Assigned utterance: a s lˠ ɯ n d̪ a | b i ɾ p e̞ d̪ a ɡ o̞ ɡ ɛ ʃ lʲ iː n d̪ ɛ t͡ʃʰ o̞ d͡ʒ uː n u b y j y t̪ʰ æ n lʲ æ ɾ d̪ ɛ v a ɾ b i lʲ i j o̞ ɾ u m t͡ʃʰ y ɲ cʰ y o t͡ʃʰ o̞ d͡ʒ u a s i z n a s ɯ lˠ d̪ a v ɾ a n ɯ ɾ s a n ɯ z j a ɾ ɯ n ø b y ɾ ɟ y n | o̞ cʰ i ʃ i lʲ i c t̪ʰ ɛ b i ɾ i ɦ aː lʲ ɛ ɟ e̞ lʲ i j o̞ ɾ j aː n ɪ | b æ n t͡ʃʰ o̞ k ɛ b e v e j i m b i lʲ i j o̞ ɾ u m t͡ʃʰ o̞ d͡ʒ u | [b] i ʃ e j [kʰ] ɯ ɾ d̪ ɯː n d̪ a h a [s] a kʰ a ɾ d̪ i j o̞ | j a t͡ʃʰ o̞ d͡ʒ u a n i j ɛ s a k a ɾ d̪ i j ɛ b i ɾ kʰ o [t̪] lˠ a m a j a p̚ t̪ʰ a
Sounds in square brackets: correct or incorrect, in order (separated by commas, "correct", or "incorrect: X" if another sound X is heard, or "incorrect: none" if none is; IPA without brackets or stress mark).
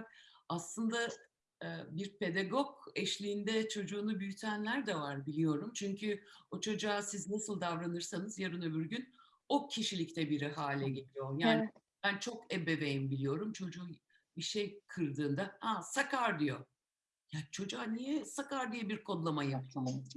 correct, correct, correct, incorrect: d̪